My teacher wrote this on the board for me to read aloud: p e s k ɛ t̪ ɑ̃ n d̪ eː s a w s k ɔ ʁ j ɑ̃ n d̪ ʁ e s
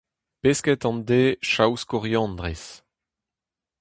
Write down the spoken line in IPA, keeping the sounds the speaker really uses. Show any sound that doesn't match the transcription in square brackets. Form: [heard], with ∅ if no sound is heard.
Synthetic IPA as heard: p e s k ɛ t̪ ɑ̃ n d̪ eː [ʃ] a w s k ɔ ʁ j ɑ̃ n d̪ ʁ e s

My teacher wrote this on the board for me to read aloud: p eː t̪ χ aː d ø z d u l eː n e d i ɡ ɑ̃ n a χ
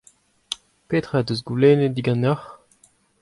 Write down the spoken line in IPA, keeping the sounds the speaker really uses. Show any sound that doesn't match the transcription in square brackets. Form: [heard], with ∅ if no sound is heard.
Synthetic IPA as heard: p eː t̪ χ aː d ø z [ɡ] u l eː n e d i ɡ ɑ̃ n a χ

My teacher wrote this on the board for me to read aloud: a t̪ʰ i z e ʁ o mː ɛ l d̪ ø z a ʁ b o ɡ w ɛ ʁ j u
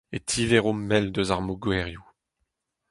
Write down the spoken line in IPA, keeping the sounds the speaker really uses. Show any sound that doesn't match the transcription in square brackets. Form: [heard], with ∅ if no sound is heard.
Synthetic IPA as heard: [e] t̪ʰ i [v] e ʁ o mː ɛ l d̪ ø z a ʁ [m] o ɡ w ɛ ʁ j u

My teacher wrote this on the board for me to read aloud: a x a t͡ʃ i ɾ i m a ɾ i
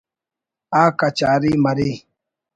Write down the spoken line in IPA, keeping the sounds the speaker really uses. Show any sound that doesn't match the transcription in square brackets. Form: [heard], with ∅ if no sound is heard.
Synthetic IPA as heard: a [k] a t͡ʃ [a] ɾ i m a ɾ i

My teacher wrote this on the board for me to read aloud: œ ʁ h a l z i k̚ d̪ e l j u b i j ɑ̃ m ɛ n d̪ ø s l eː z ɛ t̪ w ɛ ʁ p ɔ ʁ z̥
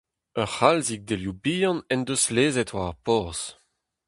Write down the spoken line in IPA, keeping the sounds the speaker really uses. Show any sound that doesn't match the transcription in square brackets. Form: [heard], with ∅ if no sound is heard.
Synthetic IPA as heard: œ ʁ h a l z i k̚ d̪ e l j u b i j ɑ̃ [n] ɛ n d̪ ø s l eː z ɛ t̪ w [a] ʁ p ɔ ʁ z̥

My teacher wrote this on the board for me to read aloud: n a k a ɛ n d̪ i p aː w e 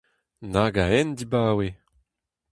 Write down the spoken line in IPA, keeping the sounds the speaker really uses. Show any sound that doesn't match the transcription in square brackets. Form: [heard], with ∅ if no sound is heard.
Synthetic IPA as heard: n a [ɡ] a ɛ n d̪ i [b] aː w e

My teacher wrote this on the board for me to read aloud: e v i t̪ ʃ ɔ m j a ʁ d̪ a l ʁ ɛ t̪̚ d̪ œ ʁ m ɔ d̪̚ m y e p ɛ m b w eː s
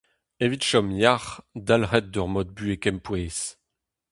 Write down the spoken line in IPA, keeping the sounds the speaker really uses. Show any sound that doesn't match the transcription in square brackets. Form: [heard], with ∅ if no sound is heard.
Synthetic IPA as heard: e v i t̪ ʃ ɔ m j a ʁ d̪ a l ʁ ɛ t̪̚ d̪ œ ʁ m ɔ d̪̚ [b] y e [k] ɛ m [p] w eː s

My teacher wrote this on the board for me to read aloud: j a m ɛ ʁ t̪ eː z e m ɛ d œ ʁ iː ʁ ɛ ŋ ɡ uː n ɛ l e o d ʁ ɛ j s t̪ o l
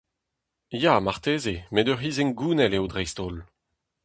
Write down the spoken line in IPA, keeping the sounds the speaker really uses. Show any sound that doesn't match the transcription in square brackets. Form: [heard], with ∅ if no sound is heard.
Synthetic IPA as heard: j a m [a] ʁ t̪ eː z e m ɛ d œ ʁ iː [z] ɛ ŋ ɡ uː n ɛ l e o d ʁ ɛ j s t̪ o l

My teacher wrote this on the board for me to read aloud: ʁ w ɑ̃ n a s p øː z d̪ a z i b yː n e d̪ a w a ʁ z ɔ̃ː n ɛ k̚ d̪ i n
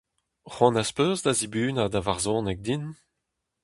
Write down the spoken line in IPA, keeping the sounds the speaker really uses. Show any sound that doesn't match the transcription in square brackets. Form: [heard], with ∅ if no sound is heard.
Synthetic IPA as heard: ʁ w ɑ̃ n a s p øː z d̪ a z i b yː n [a] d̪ a [v] a ʁ z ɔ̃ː n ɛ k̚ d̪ i n

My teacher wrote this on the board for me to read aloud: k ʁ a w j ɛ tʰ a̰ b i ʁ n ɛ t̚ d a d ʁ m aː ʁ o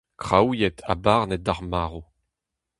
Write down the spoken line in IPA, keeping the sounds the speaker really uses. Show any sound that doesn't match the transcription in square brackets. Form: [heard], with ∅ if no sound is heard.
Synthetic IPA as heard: k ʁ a w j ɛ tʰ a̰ b [a] ʁ n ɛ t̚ d a [∅] ʁ m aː ʁ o

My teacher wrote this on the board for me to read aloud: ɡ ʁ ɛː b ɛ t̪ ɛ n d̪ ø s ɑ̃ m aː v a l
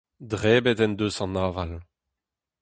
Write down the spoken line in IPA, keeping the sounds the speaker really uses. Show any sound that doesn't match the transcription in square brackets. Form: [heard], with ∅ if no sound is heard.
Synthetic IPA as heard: [d] ʁ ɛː b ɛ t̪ ɛ n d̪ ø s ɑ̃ [n] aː v a l

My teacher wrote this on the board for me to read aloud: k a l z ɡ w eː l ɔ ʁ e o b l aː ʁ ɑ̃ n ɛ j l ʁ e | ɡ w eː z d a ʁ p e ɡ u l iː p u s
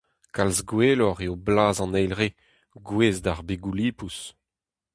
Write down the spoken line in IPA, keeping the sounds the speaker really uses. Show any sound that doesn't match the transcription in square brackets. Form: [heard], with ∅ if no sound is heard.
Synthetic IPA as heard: k a l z ɡ w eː l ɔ ʁ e o b l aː [z] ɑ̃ n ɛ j l ʁ e | ɡ w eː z d a ʁ [b] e ɡ u l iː p u s

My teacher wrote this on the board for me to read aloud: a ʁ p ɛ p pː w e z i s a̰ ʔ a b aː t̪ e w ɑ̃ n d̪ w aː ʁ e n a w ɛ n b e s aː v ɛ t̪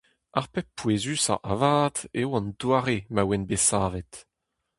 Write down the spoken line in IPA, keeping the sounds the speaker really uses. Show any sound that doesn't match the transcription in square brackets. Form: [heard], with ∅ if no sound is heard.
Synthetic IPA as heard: a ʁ p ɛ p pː w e z [y] s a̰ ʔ a [v] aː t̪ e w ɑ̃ n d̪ w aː ʁ e [m] a w ɛ n b e s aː v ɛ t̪

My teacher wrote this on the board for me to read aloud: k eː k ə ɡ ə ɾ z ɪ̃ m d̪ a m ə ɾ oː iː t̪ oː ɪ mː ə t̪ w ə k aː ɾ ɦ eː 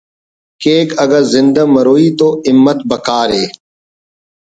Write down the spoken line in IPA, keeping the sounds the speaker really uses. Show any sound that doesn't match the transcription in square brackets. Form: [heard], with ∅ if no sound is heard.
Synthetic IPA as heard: k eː k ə ɡ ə ɾ z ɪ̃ [n] d̪ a m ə ɾ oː iː t̪ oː ɪ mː ə t̪ [b] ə k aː ɾ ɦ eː

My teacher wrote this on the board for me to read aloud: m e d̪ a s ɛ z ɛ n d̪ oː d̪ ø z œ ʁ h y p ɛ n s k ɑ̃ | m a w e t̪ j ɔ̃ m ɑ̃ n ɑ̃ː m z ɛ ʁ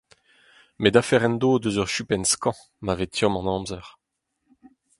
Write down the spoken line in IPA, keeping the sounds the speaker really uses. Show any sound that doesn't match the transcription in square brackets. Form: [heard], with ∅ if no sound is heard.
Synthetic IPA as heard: m e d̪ a [f] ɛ [ʁ] ɛ n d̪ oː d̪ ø z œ ʁ [ʃ] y p ɛ n s k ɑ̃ | m a [v] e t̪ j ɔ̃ m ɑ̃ n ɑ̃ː m z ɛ ʁ

